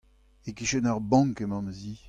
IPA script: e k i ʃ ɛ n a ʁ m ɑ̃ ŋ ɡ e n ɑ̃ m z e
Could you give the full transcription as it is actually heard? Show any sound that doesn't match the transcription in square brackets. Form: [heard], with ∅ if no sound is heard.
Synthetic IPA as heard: e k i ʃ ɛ n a ʁ [b] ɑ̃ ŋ [k] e [m] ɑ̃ m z [i]